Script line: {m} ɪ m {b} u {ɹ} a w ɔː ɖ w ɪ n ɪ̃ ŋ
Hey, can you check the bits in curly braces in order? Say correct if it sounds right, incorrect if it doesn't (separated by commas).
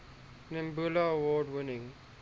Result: incorrect, correct, incorrect